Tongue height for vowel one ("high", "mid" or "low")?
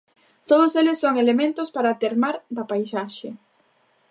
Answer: mid